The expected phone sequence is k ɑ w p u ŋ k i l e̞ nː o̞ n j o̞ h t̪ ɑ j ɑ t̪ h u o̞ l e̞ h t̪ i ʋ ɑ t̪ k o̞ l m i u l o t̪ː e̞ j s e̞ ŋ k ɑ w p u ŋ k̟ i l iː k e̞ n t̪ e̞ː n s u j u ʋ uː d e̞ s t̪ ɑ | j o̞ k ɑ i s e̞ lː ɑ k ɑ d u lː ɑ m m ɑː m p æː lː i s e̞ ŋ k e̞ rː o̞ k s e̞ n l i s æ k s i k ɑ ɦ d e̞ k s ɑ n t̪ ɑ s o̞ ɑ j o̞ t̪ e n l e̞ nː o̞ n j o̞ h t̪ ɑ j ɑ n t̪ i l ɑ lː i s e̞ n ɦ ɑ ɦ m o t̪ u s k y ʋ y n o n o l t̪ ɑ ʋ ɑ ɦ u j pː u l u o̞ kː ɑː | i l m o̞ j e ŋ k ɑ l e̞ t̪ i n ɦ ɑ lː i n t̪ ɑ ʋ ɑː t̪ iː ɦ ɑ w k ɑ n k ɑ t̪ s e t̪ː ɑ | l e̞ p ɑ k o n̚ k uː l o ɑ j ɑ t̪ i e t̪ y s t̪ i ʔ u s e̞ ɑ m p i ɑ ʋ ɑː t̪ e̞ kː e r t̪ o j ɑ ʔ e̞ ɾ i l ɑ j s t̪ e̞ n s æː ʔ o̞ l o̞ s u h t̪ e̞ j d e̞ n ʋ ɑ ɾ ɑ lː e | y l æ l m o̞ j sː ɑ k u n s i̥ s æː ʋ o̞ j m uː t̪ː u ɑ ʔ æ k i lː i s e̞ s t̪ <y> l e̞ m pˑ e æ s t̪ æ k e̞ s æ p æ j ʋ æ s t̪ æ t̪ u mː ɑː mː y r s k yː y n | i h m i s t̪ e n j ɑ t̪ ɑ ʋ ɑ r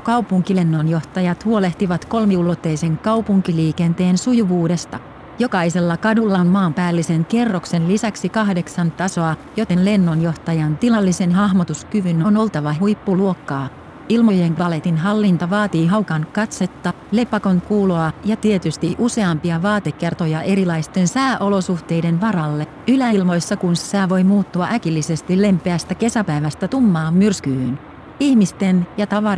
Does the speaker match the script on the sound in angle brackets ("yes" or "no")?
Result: no